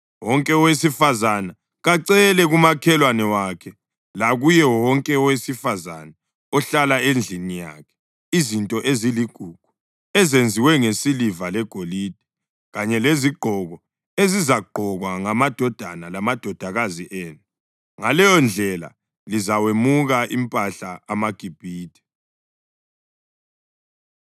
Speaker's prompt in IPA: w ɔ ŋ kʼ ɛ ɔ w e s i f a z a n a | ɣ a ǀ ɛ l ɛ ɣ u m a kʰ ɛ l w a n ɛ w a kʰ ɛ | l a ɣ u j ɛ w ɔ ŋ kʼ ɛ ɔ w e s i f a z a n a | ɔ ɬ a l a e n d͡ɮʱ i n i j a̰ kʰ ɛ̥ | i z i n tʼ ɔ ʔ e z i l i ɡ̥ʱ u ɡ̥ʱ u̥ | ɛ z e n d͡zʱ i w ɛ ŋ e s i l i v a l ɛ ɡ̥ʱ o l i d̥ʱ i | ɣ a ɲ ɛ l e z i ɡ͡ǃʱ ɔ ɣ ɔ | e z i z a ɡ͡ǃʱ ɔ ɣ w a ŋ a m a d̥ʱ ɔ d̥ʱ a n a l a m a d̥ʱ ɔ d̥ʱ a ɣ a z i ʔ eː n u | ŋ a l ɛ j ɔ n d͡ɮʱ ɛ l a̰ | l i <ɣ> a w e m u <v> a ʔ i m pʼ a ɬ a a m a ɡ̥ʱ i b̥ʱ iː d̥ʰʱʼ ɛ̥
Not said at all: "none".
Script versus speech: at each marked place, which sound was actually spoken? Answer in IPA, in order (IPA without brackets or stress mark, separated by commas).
z, ɣ